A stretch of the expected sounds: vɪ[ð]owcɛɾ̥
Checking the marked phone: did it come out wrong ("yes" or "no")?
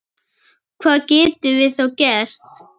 yes